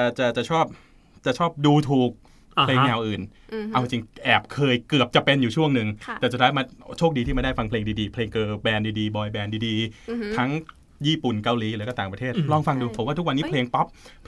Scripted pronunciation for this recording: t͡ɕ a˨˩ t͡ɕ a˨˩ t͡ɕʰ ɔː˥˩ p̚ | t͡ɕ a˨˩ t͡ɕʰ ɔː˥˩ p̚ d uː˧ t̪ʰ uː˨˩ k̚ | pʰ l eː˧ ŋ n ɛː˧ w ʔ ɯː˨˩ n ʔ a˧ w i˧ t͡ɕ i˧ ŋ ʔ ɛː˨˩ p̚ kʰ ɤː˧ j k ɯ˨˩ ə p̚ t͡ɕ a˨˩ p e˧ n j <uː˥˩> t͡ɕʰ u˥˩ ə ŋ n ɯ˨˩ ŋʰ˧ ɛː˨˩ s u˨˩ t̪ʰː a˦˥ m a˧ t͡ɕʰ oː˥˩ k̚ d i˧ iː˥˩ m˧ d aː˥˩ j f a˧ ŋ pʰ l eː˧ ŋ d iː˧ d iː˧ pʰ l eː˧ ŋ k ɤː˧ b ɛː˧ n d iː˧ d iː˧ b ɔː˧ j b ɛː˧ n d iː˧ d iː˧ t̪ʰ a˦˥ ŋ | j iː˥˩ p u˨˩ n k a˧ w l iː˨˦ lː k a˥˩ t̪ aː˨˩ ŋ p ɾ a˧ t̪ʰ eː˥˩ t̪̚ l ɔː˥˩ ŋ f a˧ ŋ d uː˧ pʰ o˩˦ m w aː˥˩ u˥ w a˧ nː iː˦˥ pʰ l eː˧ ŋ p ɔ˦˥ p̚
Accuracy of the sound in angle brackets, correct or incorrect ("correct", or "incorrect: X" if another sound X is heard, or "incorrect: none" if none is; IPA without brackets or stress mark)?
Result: incorrect: uː˨˩